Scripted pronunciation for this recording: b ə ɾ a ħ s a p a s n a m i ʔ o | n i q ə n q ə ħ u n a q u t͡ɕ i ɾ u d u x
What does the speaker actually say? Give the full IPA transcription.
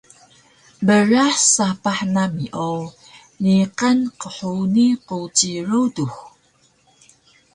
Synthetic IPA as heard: b ə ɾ a ħ s a p a ħ n a m i ʔ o | n i q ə n q ə ħ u n i q u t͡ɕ i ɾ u d u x